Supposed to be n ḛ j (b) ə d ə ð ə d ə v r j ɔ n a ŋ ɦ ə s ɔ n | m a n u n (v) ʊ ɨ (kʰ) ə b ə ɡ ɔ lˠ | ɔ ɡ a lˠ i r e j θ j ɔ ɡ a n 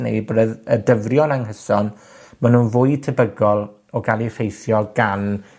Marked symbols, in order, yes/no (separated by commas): yes, yes, no